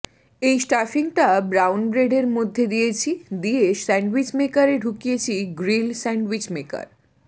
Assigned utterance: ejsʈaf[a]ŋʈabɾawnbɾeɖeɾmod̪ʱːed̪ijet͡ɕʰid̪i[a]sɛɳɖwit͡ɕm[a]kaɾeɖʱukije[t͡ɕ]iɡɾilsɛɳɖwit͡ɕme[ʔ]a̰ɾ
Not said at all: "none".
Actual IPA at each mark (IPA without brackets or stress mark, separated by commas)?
i, e, e, t͡ɕʰ, k